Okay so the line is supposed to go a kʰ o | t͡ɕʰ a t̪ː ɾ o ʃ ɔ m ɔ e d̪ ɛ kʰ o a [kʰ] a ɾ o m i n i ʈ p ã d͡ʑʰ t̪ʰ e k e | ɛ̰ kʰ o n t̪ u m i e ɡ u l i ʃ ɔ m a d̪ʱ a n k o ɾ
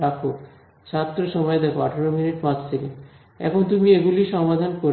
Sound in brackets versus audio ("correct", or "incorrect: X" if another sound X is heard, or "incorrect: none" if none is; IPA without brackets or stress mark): incorrect: ʈʰ